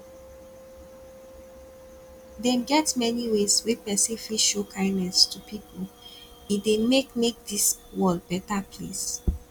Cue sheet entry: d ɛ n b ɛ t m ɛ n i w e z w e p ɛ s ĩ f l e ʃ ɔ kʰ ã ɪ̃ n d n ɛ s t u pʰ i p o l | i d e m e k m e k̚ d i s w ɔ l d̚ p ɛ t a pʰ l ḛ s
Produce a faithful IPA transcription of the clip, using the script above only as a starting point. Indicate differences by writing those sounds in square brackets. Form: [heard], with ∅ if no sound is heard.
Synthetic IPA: d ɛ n [ɡ] ɛ t m ɛ n i w e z w e p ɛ s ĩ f l [i] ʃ [o] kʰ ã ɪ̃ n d n ɛ s t u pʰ i p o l | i d e m e k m e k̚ d i s w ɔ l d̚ [b] ɛ t a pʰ l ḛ s